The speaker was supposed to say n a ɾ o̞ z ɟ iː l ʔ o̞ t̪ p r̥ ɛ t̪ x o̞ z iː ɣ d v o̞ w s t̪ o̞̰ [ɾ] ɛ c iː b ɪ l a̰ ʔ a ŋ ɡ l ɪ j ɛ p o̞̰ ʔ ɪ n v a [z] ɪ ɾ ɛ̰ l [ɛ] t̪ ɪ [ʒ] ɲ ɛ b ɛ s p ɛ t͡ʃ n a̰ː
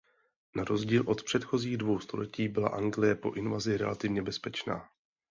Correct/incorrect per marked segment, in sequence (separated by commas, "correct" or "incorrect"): incorrect, correct, incorrect, incorrect